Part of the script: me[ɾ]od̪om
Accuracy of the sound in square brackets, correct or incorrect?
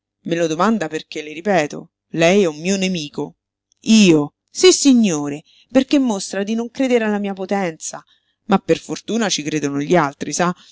incorrect